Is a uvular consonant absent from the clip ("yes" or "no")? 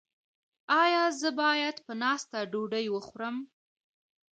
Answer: yes